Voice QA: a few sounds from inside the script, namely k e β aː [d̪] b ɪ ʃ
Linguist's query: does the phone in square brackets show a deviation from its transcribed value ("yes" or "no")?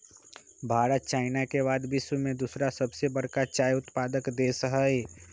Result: no